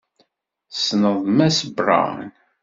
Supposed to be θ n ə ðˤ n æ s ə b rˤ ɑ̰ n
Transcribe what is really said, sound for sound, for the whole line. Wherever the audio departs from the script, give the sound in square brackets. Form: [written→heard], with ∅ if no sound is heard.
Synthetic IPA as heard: [θ→s] n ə ðˤ [n→m] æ s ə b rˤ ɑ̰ n